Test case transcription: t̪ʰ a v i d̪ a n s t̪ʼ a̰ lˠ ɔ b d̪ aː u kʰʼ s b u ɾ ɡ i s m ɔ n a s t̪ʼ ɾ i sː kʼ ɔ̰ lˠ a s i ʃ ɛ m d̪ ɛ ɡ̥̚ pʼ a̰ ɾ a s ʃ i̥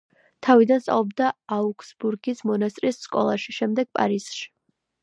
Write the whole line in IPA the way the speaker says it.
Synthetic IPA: t̪ʰ a v i d̪ a n s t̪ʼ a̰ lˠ ɔ b d̪ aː u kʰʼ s b u ɾ ɡ i s m ɔ n a s t̪ʼ ɾ i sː kʼ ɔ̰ lˠ a ʃ i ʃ ɛ m d̪ ɛ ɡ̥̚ pʼ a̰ ɾ i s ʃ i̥